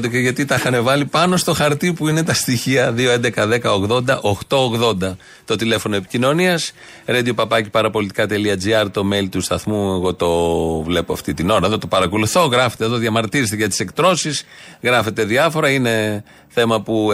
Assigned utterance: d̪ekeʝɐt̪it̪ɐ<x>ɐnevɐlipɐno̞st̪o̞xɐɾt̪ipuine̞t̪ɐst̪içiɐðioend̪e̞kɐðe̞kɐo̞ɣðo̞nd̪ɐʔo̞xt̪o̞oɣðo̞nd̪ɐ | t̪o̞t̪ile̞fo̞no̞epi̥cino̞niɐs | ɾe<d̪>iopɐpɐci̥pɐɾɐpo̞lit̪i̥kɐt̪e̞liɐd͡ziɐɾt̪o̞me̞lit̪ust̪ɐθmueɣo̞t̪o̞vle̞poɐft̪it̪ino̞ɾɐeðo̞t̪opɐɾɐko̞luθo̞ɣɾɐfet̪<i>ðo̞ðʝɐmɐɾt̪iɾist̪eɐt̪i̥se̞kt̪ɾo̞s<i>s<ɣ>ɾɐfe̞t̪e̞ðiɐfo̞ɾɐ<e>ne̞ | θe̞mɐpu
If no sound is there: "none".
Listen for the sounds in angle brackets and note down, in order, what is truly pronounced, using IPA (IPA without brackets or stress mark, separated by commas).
x, d̪, e, i, ɣ, i